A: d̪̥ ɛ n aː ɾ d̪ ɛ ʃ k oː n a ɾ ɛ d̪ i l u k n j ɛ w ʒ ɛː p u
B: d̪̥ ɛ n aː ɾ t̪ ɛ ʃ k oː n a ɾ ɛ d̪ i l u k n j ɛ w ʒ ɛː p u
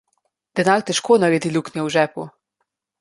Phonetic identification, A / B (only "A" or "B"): B